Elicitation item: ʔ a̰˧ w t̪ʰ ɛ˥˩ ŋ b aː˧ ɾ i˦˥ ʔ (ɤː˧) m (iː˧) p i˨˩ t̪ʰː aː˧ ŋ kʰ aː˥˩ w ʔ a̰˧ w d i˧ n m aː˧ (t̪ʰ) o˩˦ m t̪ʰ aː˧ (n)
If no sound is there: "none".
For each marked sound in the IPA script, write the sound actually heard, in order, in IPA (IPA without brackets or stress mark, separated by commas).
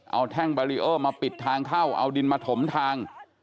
ɤː˥˩, aː˧, t̪ʰ, ŋ